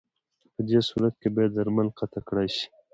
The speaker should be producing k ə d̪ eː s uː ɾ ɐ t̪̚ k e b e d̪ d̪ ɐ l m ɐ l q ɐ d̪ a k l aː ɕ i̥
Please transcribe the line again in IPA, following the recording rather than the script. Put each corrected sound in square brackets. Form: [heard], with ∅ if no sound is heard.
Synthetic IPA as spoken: [p] ə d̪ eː s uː ɾ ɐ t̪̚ k e b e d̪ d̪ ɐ [ɾ] m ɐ l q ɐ [t̪] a k [ɽ] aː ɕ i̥